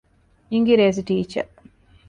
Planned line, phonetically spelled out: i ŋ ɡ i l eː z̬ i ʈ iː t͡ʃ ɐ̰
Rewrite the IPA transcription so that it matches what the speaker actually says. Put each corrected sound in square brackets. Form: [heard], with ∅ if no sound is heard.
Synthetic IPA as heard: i ŋ ɡ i [ɾ] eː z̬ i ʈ iː t͡ʃ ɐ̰